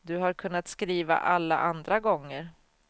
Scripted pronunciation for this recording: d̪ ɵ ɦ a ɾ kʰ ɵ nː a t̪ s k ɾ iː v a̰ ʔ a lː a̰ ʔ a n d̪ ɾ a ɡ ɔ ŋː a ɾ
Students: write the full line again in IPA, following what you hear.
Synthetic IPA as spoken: d̪ ɵ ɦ a ɾ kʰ ɵ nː a t̪ s k ɾ iː v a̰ ʔ a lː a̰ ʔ a n d̪ ɾ a ɡ ɔ ŋː ə ɾ